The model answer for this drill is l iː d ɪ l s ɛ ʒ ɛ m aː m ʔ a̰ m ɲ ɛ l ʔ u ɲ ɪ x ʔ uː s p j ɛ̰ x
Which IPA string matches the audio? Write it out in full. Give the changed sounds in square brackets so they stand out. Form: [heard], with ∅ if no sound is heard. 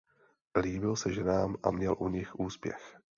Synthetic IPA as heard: l iː [b] ɪ l s ɛ ʒ ɛ [n] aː m ʔ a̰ m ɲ ɛ l ʔ u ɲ ɪ x ʔ uː s p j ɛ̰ x